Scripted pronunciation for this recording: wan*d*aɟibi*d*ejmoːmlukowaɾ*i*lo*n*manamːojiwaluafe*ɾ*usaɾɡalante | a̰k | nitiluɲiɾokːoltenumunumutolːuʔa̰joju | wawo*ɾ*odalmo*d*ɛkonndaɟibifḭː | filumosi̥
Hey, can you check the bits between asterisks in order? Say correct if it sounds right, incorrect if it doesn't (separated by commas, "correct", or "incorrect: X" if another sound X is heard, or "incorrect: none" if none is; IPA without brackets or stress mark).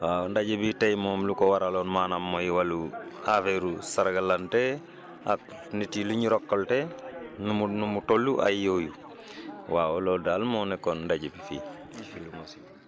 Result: correct, incorrect: t, incorrect: a, correct, correct, incorrect: l, incorrect: n